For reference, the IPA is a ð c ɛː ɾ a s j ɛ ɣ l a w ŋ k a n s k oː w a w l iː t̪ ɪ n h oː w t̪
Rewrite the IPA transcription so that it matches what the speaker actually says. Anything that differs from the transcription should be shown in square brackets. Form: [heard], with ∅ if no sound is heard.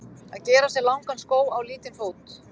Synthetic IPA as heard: a ð c ɛː ɾ a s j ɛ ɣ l a w ŋ k a n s k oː w a w l iː t̪ ɪ n [f] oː w t̪